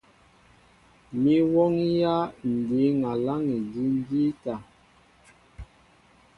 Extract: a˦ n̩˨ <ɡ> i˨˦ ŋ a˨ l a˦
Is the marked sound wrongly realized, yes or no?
yes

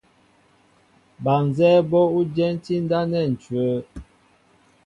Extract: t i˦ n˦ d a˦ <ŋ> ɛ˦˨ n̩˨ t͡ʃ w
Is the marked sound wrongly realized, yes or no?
yes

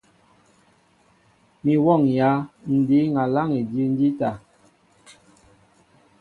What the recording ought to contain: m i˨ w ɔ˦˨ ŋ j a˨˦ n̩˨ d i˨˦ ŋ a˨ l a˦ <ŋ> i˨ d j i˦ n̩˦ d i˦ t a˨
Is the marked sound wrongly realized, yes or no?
no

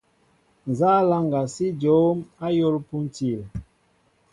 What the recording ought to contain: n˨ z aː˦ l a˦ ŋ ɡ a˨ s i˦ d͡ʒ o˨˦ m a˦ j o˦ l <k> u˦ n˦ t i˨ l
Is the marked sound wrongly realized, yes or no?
yes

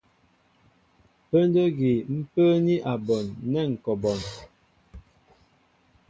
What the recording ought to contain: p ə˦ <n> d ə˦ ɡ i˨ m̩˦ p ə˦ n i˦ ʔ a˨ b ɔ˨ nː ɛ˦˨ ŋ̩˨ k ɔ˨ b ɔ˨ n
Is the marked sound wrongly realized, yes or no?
no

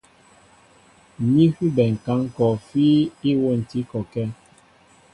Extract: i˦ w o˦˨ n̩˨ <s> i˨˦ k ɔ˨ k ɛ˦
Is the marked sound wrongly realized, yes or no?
yes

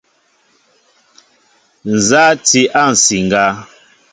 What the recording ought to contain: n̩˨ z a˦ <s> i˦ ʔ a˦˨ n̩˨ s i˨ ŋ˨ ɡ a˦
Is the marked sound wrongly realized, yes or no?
yes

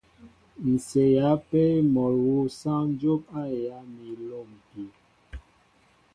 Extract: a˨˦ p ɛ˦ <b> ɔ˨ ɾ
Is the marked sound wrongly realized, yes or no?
yes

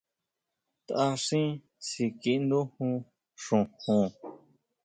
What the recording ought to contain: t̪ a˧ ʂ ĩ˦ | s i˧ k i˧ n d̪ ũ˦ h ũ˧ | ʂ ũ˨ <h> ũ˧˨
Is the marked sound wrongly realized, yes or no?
no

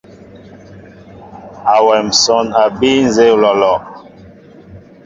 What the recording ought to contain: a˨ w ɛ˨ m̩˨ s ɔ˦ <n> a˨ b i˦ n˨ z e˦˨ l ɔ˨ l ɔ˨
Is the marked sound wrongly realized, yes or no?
no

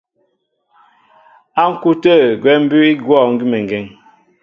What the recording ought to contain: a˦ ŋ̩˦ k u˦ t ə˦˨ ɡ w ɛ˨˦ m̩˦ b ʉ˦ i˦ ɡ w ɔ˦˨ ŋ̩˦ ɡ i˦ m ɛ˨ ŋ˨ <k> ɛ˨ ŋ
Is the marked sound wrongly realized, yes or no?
yes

